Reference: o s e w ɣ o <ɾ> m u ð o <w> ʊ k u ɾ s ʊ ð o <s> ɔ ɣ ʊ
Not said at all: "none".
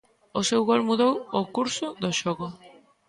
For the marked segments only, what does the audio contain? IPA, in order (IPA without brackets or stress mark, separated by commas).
l, w, ʃ